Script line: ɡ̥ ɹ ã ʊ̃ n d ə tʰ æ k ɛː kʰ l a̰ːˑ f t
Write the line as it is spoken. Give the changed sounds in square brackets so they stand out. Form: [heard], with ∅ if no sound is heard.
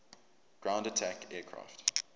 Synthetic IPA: ɡ̥ ɹ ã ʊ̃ n d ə tʰ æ k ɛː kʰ [ɹ] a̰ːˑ f t